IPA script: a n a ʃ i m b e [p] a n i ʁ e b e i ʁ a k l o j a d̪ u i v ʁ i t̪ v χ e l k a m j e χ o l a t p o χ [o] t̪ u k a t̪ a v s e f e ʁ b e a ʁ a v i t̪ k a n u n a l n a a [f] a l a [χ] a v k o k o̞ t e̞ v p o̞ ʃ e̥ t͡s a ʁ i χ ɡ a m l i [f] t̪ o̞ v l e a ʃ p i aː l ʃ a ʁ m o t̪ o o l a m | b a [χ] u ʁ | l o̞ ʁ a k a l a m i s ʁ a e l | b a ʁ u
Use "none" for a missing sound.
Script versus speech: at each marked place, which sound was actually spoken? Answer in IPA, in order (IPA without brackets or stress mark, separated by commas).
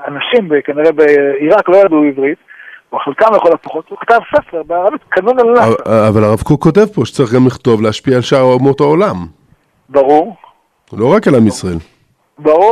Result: k, o, v, ʁ, χ, ʁ